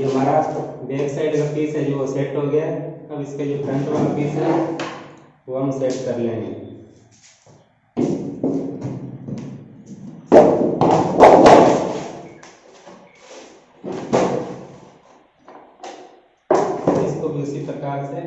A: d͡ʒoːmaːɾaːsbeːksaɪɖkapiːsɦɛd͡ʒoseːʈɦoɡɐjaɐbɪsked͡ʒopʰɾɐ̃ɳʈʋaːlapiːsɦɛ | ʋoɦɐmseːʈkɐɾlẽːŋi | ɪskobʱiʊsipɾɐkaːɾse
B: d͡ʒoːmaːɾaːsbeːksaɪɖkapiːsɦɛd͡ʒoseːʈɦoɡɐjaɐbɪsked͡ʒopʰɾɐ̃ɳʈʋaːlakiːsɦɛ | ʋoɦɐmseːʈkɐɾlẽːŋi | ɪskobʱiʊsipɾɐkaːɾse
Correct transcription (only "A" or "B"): A